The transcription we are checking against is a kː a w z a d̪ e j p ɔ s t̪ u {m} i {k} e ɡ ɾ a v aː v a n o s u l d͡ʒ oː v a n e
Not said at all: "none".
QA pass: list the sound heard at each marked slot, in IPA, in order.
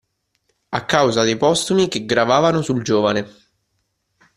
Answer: m, k

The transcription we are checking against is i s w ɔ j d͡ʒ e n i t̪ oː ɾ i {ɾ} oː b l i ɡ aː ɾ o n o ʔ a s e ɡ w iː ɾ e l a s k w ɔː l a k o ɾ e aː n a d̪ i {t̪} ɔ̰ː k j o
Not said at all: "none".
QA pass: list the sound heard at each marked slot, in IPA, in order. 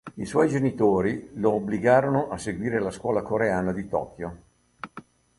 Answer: l, t̪

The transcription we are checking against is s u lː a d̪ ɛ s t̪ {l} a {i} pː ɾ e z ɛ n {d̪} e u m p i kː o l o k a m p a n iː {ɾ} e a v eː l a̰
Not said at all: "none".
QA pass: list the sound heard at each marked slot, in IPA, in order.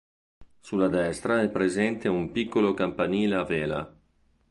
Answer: ɾ, ɛ, t̪, l

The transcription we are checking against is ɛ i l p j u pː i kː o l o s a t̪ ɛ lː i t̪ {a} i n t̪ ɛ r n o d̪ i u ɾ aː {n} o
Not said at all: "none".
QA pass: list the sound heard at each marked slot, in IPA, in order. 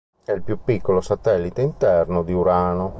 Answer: e, n

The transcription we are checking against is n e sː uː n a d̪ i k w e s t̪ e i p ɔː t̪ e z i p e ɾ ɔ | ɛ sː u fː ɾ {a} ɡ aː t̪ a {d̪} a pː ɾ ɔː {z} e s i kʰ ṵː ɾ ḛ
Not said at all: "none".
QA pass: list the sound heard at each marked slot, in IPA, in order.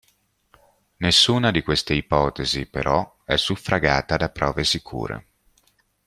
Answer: a, d̪, v

